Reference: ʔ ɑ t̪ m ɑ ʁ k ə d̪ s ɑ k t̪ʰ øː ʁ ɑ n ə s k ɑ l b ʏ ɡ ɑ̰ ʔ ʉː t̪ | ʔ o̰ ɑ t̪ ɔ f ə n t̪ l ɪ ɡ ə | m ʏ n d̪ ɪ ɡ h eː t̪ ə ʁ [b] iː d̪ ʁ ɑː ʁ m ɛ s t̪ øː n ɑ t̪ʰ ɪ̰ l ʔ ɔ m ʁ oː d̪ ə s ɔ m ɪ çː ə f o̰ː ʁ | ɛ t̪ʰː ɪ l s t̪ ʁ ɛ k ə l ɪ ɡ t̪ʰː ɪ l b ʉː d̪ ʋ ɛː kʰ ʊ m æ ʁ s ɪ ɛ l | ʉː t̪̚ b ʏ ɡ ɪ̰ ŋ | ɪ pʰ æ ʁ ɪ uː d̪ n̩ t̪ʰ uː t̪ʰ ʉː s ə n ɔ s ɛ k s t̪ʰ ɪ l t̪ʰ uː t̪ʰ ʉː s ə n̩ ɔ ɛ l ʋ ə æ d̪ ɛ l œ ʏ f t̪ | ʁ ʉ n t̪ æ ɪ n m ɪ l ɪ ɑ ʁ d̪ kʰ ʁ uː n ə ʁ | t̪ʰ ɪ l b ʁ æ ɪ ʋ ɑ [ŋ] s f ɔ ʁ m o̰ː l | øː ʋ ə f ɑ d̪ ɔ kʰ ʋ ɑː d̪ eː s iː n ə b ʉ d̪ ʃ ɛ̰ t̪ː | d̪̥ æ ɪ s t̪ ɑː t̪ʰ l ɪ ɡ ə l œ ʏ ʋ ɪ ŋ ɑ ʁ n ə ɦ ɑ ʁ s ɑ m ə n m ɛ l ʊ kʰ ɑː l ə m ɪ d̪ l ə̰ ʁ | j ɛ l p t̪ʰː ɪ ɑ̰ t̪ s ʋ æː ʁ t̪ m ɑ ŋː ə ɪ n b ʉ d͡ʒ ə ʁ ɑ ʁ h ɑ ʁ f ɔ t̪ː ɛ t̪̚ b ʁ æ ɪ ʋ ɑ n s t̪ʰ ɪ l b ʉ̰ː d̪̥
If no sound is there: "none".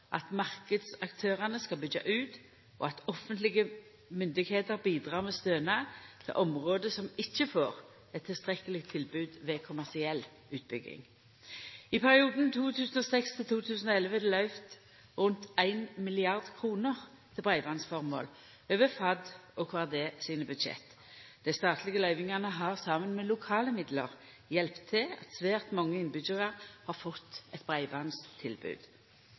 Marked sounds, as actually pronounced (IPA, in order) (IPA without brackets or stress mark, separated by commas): b, n